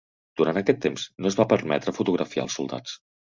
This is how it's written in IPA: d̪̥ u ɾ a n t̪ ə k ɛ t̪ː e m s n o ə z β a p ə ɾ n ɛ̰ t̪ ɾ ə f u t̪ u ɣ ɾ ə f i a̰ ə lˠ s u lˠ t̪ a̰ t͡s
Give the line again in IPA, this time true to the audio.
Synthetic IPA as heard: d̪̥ u ɾ a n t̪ ə k ɛ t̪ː e m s n o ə z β a p ə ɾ m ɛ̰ t̪ ɾ ə f u t̪ u ɣ ɾ ə f i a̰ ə lˠ s u lˠ d̪ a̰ t͡s